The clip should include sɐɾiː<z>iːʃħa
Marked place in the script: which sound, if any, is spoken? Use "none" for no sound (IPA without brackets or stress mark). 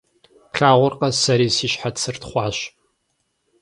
s